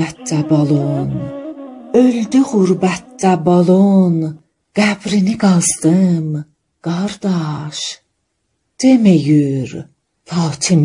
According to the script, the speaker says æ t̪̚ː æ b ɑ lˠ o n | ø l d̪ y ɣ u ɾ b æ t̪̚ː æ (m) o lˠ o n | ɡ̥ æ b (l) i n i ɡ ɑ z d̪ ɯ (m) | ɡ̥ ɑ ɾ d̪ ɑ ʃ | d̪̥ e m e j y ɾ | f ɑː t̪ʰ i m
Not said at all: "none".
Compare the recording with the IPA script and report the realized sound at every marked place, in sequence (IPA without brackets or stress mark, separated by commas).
b, ɾ, m